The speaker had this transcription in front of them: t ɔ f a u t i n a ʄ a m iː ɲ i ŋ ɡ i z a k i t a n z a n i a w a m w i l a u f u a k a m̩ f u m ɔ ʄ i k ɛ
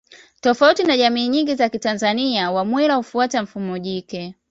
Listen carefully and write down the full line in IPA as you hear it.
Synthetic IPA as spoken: t ɔ f a u t i n a ʄ a m iː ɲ i ŋ ɡ i z a k i t a n z a n i a w a m w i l a u f u a t a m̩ f u m ɔ ʄ i k ɛ